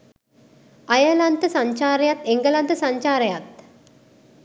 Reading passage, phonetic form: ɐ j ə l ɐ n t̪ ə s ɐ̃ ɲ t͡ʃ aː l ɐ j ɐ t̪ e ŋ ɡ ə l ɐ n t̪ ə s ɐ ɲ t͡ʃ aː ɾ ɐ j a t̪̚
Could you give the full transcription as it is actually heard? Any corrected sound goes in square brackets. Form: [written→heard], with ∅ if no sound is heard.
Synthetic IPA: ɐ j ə l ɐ n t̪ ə s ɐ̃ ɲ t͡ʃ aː [l→ɾ] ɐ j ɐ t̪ e ŋ ɡ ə l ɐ n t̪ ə s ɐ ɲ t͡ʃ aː ɾ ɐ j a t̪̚